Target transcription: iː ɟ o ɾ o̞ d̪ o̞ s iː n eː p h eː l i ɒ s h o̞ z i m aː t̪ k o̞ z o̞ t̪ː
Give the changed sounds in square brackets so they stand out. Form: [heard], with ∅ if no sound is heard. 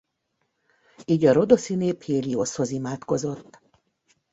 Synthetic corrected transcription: iː ɟ [ɒ] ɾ o̞ d̪ o̞ s [i] n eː p h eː l i [o] s h o̞ z i m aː t̪ k o̞ z o̞ t̪ː